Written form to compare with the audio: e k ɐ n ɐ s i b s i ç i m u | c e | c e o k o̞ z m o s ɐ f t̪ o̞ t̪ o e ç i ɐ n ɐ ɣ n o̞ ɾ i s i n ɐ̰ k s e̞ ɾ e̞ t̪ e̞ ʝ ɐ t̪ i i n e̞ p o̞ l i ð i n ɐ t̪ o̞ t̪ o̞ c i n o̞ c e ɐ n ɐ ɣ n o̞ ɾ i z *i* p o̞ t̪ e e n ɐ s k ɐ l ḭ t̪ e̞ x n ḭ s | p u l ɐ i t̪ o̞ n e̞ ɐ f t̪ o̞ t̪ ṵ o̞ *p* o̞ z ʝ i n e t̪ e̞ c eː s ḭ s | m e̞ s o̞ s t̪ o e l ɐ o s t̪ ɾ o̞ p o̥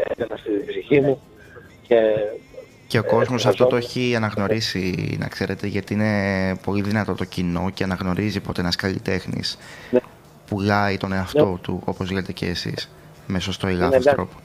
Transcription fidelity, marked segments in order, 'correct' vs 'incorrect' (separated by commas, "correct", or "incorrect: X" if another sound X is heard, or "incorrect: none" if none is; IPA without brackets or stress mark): correct, correct